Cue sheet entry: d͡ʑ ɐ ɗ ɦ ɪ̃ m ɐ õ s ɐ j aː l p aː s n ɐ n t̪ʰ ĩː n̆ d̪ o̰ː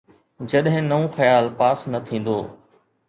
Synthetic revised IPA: d͡ʑ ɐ ɗ ɦ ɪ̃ n ɐ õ x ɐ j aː l p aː s n ɐ t̪ʰ ĩː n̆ d̪ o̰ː